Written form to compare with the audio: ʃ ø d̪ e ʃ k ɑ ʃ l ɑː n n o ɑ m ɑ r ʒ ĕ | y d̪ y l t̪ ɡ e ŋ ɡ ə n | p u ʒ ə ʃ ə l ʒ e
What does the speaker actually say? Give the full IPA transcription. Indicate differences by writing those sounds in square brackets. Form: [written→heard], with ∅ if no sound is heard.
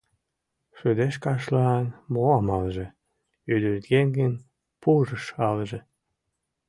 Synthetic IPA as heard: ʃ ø d̪ e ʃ k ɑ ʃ l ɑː n [n→m] o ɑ m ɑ [r→l] ʒ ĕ | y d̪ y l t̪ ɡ e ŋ ɡ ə n | p u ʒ ə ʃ [ə→ɑ] l ʒ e